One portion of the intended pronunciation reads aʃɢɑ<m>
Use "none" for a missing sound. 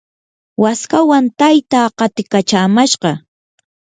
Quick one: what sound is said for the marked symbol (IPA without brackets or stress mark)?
none